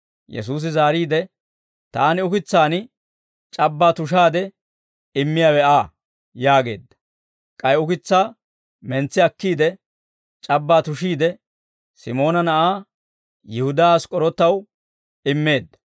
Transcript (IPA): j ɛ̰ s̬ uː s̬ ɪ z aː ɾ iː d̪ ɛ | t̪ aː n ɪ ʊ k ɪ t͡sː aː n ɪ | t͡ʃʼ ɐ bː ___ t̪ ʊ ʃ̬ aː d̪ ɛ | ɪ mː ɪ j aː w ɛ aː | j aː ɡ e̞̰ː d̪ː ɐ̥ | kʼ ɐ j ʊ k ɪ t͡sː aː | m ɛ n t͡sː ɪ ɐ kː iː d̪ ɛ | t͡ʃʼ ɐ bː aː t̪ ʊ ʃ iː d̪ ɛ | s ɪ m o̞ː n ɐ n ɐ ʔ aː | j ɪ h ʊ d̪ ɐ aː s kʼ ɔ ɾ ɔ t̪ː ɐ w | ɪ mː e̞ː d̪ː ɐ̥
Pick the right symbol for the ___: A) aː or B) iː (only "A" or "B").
A